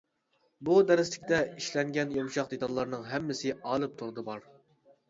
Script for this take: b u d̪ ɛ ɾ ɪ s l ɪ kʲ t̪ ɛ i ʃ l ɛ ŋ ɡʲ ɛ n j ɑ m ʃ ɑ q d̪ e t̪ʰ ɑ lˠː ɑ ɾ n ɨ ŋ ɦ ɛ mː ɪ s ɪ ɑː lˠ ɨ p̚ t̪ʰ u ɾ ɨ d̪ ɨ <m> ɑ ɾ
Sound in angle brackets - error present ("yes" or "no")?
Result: yes